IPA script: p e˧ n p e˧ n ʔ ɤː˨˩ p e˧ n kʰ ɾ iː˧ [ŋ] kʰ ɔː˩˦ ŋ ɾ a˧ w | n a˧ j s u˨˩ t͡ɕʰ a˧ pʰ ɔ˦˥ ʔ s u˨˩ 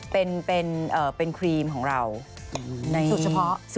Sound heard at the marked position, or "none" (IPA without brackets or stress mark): m